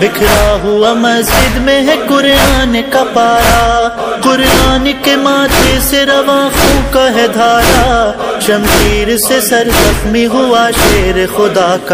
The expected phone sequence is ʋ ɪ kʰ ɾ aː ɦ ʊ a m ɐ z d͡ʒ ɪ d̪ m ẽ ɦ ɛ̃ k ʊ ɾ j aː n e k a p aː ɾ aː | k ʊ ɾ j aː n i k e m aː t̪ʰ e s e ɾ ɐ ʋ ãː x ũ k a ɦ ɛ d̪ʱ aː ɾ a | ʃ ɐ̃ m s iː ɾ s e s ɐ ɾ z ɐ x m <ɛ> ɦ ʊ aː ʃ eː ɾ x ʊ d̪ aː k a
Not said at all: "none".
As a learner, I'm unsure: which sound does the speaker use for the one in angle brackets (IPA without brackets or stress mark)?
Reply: i